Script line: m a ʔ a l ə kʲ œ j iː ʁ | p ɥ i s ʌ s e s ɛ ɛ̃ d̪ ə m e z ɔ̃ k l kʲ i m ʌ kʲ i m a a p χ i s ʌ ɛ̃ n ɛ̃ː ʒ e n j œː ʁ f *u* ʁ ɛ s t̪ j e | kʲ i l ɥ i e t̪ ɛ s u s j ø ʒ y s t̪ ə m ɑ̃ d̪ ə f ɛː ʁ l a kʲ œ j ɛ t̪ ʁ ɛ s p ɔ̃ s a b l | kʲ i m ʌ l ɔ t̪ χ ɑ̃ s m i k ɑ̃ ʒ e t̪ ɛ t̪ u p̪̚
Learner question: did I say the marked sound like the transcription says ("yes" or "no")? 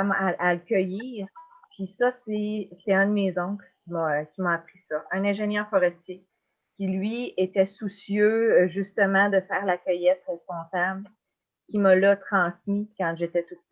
no